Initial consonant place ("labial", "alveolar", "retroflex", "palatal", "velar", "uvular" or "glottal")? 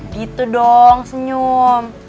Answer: velar